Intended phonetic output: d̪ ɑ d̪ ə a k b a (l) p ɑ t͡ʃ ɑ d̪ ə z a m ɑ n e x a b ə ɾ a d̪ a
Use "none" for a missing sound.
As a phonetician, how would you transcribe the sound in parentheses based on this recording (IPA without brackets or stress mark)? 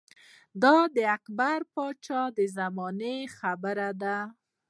ɾ